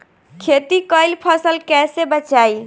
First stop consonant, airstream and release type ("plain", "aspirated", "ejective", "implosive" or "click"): aspirated